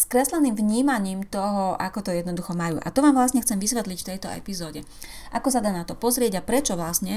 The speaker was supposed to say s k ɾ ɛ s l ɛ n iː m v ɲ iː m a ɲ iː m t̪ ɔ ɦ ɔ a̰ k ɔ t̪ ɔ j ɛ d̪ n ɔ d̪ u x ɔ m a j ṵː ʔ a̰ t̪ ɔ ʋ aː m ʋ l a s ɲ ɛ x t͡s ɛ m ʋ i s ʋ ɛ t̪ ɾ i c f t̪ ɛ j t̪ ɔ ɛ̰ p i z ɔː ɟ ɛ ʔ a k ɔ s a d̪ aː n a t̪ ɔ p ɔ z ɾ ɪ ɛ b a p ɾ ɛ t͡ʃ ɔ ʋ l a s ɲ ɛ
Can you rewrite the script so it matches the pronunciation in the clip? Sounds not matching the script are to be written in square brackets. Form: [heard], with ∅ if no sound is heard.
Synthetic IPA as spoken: s k ɾ ɛ s l ɛ n iː m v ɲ iː m a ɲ iː m t̪ ɔ ɦ ɔ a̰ k ɔ t̪ ɔ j ɛ d̪ n ɔ d̪ u x ɔ m a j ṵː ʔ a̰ t̪ ɔ ʋ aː m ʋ l a s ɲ ɛ x t͡s ɛ m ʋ i s ʋ ɛ t̪ [l] i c f t̪ ɛ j t̪ ɔ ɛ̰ p i z ɔː ɟ ɛ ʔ a k ɔ s a d̪ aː n a t̪ ɔ p ɔ z ɾ ɪ ɛ [ɟ] a p ɾ ɛ t͡ʃ ɔ ʋ l a s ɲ ɛ